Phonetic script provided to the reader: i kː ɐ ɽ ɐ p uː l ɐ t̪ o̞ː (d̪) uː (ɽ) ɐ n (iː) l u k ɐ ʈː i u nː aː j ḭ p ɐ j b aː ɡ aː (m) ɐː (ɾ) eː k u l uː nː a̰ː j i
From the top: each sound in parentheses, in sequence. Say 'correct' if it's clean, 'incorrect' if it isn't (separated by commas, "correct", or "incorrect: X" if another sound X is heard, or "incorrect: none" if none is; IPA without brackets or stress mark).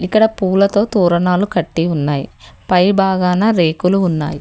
incorrect: t̪, incorrect: ɾ, incorrect: aː, incorrect: n, correct